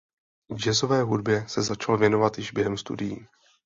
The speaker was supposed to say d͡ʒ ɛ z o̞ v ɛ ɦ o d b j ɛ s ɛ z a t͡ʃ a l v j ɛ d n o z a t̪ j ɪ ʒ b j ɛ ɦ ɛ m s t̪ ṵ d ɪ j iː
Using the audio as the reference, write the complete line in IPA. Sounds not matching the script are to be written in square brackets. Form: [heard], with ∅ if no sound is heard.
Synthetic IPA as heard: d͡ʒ ɛ z o̞ v [ɛː] ɦ [u] d b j ɛ s ɛ z a t͡ʃ a l v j ɛ [∅] n o [v] a t̪ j ɪ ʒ b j ɛ ɦ ɛ m s t̪ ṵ d ɪ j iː